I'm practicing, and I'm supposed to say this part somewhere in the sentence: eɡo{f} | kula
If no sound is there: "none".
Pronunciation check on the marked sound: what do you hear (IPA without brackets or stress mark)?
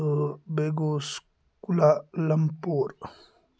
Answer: s